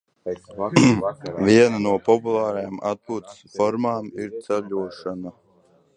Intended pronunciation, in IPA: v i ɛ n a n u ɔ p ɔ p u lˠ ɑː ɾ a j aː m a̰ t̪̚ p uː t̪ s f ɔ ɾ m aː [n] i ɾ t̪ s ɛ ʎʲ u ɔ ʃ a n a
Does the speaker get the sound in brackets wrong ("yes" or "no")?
yes